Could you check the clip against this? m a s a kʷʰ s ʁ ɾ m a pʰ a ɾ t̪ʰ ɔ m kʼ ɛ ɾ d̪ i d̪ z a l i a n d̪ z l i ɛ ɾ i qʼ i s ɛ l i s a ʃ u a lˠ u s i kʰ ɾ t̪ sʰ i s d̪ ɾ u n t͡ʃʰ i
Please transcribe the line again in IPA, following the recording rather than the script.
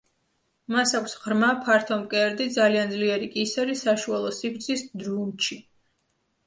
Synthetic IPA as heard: m a s a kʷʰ s ʁ ɾ m a pʰ a ɾ t̪ʰ ɔ m kʼ ɛ ɾ d̪ i d̪ z a l i a n d̪ z l i ɛ ɾ i kʼ i s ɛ ɾ i s a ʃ u a lˠ ɔ s i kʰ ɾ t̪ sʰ i s d̪ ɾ u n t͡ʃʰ i